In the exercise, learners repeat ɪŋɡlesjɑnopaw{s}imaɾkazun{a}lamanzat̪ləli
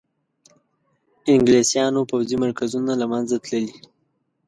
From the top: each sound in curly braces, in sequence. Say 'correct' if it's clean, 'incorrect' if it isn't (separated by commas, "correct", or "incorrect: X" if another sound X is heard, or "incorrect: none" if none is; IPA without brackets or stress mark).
incorrect: z, correct